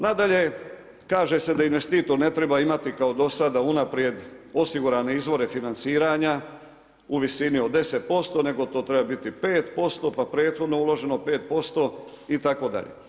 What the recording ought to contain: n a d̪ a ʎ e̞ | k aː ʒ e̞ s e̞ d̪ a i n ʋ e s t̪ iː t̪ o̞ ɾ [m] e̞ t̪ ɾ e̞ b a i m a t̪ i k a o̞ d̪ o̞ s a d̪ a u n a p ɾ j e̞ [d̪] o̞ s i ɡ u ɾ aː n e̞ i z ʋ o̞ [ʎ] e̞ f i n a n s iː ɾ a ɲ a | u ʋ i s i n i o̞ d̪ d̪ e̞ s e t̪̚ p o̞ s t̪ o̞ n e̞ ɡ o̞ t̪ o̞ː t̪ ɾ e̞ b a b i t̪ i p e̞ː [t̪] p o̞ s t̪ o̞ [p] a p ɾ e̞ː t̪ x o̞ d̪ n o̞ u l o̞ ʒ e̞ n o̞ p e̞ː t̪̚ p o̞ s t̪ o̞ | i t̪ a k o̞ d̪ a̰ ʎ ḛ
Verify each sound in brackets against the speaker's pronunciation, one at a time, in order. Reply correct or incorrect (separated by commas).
incorrect, correct, incorrect, correct, correct